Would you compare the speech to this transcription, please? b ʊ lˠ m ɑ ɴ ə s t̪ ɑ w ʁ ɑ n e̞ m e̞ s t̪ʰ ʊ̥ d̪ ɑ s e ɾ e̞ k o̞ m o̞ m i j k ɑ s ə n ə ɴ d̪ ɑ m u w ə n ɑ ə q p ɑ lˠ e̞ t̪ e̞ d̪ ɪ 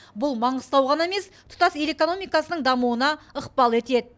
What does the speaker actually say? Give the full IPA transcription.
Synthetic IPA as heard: b ʊ lˠ m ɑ ɴ ə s t̪ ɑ w ʁ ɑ n e̞ m e̞ s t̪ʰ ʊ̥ t̪ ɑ s e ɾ e̞ k o̞ n o̞ m i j k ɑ s ə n ə ɴ d̪ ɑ m u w ə n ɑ ə q p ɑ lˠ e̞ t̪ e̞ d̪ ɪ